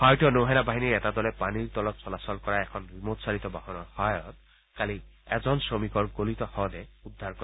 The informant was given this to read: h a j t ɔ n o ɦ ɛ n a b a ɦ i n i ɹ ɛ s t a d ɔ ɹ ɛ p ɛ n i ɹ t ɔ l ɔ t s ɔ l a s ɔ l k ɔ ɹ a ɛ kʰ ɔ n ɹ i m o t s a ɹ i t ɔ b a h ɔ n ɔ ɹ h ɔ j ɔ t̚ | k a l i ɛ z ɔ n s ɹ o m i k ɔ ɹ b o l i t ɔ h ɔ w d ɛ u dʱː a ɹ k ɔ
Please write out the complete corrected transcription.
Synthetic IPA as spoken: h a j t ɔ n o ɦ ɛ n a b a ɦ i n i ɹ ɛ t a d ɔ l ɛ p a n i ɹ t ɔ l ɔ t s ɔ l a s ɔ l k ɔ ɹ a ɛ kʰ ɔ n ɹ i m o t s a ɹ i t ɔ b a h ɔ n ɔ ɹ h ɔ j ɔ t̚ | k a l i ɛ z ɔ n s ɹ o m i k ɔ ɹ ɡ o l i t ɔ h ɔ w d ɛ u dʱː a ɹ k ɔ